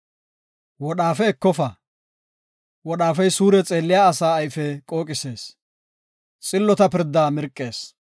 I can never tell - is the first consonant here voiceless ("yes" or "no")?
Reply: no